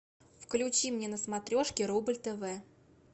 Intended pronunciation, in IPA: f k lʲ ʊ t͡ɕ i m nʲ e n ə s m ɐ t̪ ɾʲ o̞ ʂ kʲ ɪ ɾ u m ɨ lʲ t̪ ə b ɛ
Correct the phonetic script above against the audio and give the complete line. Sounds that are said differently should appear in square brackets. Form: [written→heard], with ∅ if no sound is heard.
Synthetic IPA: f k lʲ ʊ t͡ɕ i m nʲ e n ə s m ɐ t̪ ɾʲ o̞ ʂ kʲ ɪ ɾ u [m→b] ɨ lʲ t̪ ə [b→v] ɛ